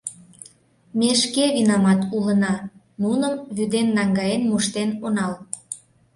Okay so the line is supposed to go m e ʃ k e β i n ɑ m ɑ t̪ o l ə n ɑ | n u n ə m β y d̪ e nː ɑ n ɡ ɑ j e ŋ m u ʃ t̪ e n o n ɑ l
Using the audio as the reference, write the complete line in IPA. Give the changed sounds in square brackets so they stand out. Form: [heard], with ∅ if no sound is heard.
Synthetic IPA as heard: m e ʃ k e β i n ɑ m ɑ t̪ [u] l ə n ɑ | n u n ə m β y d̪ e nː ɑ [ŋ] ɡ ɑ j e [n] m u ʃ t̪ e n o n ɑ l